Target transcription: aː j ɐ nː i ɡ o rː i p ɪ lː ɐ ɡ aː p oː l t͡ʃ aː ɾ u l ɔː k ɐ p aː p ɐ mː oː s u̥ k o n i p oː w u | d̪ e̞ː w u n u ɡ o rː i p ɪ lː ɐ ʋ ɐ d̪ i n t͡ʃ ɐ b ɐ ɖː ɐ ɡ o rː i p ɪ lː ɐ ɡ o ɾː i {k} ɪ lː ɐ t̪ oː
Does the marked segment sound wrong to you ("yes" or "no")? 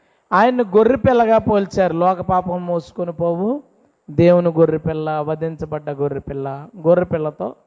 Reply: yes